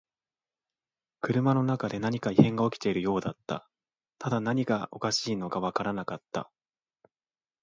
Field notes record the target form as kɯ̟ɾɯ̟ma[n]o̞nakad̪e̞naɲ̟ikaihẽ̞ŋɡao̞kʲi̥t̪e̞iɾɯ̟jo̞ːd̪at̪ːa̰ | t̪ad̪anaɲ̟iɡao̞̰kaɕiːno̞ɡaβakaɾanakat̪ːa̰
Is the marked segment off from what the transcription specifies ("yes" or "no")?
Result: no